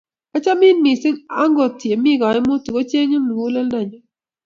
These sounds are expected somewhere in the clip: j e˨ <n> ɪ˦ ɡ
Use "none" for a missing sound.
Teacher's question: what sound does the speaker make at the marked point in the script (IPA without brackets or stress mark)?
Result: m